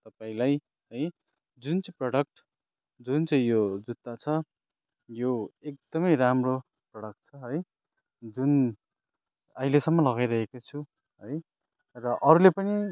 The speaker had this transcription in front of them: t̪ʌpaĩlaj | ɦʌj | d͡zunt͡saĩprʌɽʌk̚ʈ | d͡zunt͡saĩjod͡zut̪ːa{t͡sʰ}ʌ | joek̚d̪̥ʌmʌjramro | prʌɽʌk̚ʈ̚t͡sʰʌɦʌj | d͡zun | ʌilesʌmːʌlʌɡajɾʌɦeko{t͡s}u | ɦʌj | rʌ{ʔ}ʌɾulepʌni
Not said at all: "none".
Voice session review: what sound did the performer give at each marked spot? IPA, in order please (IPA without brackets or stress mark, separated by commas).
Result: t͡sʰ, t͡sʰ, ʔ